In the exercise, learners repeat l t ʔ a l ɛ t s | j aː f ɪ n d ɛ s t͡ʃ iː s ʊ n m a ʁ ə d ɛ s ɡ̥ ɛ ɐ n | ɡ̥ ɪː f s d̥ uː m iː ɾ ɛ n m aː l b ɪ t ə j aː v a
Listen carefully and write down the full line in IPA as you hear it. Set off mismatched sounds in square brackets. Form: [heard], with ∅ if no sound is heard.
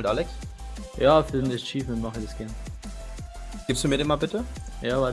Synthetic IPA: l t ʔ a l ɛ [k] s | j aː f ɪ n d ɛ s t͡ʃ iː [f] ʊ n m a [χ] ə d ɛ s ɡ̥ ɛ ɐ n | ɡ̥ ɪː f s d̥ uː m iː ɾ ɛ n m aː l b ɪ t ə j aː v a